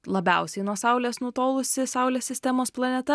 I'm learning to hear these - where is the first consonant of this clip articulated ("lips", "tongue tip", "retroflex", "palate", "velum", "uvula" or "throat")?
tongue tip